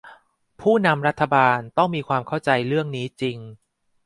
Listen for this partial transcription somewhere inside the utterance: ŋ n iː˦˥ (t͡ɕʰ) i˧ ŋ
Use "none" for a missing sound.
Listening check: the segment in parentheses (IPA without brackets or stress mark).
t͡ɕ